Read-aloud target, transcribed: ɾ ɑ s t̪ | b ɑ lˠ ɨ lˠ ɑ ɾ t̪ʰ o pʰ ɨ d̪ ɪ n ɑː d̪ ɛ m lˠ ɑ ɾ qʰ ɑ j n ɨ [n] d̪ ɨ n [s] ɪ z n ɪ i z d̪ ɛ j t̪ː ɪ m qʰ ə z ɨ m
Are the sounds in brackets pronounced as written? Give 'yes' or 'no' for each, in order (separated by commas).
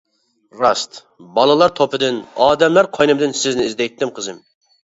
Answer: no, yes